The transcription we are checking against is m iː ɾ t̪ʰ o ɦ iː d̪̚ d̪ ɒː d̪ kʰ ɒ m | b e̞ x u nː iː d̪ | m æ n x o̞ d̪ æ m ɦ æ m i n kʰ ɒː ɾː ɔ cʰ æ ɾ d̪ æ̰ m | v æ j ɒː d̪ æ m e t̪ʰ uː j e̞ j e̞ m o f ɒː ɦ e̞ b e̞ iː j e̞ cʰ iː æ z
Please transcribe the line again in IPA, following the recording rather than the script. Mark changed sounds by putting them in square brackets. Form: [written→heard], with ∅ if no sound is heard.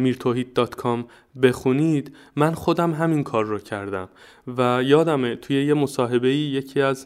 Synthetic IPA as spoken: m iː ɾ t̪ʰ o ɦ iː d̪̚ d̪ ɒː [d̪→t̪] kʰ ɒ m | b e̞ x u [nː→n] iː d̪ | m æ n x o̞ d̪ æ m ɦ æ m i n kʰ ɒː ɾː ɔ cʰ æ ɾ d̪ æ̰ m | v æ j ɒː d̪ æ m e t̪ʰ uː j e̞ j e̞ m o [f→s] ɒː ɦ e̞ b e̞ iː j e̞ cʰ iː æ z